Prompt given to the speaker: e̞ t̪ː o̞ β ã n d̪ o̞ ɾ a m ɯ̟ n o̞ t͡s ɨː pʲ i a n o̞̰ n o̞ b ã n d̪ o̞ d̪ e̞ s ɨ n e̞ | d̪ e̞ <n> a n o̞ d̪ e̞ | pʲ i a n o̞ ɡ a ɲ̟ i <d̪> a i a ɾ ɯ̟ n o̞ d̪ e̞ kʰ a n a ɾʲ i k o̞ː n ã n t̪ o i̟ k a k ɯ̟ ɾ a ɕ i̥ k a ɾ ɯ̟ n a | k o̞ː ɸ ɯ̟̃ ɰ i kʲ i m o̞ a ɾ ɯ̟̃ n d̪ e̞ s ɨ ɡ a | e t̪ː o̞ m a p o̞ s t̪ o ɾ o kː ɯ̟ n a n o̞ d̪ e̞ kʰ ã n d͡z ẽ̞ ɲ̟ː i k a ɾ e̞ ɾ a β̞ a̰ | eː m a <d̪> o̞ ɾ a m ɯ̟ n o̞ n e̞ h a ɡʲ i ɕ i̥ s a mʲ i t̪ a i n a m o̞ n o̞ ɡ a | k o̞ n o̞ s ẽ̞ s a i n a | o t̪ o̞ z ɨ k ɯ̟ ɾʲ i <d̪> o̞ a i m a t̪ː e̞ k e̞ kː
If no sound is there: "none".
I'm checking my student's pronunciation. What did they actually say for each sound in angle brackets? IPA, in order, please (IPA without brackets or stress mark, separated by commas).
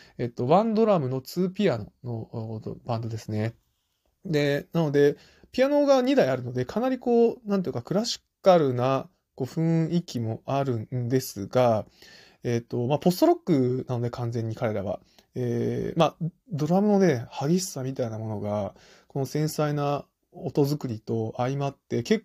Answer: n, d̪, d̪, t̪